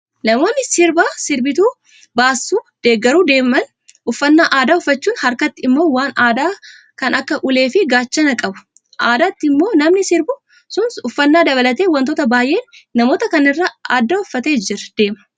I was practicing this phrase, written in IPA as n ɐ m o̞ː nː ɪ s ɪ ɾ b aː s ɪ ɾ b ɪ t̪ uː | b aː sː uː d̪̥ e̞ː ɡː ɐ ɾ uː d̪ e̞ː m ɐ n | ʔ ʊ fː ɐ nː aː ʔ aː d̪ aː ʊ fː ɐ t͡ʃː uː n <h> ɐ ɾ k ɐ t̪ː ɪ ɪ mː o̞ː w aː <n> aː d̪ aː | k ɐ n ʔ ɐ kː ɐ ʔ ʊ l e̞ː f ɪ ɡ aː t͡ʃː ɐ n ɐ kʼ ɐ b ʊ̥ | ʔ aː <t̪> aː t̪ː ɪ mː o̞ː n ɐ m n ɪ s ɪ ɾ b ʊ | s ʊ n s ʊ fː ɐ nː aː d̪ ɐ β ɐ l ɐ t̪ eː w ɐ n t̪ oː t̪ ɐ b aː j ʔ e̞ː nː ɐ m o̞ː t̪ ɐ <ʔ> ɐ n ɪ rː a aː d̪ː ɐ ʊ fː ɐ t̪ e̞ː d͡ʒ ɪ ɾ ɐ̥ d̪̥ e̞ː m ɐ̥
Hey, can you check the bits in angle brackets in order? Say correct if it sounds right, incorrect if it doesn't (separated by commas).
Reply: correct, correct, incorrect, incorrect